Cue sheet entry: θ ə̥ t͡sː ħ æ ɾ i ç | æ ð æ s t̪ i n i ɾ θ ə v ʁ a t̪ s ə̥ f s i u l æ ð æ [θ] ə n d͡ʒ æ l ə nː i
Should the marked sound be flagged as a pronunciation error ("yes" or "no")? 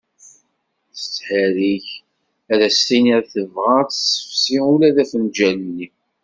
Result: yes